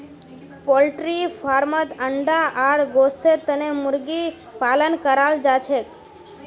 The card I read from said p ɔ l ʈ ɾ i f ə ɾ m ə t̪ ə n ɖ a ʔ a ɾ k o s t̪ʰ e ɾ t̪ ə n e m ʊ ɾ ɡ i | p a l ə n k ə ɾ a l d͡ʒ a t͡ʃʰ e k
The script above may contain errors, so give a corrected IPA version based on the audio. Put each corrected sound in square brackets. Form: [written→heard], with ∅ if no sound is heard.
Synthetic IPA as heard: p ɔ l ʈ ɾ i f [ə→a] ɾ m ə t̪ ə [n→ɳ] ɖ a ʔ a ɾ [k→ɡ] o s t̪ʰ e ɾ t̪ ə n e m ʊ ɾ ɡ i | p a l ə n k ə ɾ a l d͡ʒ a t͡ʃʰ e k